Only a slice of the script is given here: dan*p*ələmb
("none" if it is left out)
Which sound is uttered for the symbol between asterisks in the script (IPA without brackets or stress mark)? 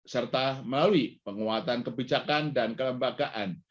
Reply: k